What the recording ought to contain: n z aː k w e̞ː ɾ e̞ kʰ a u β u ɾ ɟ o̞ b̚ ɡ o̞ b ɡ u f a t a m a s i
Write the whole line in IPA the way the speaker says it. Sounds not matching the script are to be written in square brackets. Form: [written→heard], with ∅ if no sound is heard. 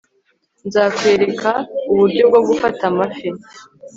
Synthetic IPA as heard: n z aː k w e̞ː ɾ e̞ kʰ a u β u ɾ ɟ o̞ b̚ ɡ o̞ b ɡ u f a t a m a [s→f] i